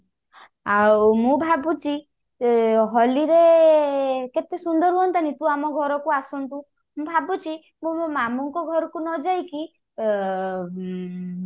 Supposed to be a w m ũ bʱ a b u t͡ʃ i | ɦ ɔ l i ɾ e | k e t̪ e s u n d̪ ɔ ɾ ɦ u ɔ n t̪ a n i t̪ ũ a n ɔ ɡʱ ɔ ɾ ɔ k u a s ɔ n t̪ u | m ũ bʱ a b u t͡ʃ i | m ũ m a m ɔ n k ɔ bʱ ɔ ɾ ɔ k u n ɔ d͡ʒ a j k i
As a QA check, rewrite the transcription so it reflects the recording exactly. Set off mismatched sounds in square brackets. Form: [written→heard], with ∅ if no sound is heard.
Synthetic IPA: a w m ũ bʱ a b u t͡ʃ i | ɦ ɔ l i ɾ e | k e t̪ e s u n d̪ ɔ ɾ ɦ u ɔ n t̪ a n i t̪ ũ a [n→m] ɔ ɡʱ ɔ ɾ ɔ k u a s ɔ n t̪ u | m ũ bʱ a b u t͡ʃ i | m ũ m a m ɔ [n→ŋ] k ɔ [bʱ→ɡʱ] ɔ ɾ ɔ k u n ɔ d͡ʒ a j k i